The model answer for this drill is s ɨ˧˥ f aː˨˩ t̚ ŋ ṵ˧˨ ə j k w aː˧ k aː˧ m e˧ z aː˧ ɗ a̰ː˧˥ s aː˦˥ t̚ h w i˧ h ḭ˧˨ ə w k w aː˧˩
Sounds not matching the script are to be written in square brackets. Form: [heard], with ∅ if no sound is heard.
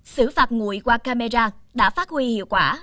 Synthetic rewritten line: s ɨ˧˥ f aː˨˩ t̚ ŋ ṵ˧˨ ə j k w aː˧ k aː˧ m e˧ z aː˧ ɗ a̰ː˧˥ [f] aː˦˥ t̚ h w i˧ h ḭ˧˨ ə w k w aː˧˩